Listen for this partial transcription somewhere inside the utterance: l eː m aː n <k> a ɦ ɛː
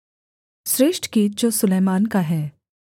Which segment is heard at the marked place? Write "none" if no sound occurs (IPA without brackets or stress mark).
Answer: k